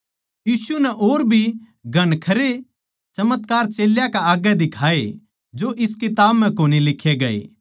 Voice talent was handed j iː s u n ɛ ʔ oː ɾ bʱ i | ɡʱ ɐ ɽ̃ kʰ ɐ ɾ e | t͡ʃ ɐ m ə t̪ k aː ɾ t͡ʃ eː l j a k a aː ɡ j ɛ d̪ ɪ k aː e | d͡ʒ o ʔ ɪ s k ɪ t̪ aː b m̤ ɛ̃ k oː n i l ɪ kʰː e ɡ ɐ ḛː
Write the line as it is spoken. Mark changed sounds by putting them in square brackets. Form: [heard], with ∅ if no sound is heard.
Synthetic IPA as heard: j iː s u n ɛ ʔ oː ɾ bʱ i | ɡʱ ɐ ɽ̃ kʰ ɐ ɾ e | t͡ʃ ɐ m ə t̪ k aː ɾ t͡ʃ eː l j a k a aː ɡ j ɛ d̪ ɪ [kʰ] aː e | d͡ʒ o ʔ ɪ s k ɪ t̪ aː b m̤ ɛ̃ k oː n i l ɪ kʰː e ɡ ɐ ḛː